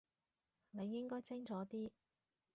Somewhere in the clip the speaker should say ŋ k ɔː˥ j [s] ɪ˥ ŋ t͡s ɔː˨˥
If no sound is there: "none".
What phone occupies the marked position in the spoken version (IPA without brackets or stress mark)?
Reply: t͡s